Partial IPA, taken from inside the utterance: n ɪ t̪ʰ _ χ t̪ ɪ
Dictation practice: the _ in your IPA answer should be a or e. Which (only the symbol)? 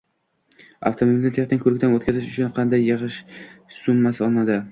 e